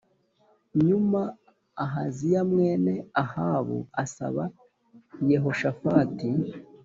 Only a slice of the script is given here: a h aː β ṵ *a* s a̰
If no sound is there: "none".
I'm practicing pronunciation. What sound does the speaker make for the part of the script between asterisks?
a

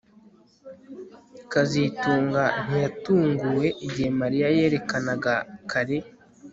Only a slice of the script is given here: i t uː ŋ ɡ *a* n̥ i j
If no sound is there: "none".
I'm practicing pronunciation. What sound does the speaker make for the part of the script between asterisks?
a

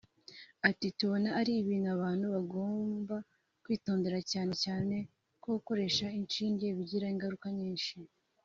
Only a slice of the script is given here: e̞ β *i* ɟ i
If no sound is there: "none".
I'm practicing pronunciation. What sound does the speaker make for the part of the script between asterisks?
i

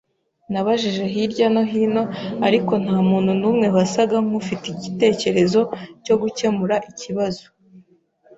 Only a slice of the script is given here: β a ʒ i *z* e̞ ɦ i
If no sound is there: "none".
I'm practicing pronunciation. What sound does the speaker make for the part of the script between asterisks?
ʒ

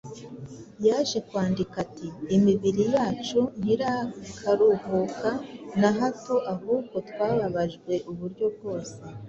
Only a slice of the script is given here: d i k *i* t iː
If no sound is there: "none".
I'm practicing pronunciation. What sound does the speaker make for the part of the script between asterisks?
a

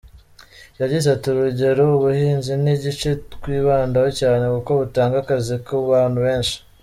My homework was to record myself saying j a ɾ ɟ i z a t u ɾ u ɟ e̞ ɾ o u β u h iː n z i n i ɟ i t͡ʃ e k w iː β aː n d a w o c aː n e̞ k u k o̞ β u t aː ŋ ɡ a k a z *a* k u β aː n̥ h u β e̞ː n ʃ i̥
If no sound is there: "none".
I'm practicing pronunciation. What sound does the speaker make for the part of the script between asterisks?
i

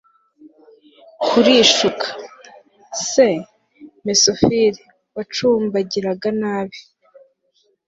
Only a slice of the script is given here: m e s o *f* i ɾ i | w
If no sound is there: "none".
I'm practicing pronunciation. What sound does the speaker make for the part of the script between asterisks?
f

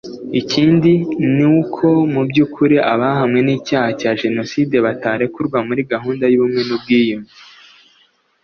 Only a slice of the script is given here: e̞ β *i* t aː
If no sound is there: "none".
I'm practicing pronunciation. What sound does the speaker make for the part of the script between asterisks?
a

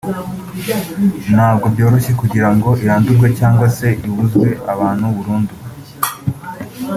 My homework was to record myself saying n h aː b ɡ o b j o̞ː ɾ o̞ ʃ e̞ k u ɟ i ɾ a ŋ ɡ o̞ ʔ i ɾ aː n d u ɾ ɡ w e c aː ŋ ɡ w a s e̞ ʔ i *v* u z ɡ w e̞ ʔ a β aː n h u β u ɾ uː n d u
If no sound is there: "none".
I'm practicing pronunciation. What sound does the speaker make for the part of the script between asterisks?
β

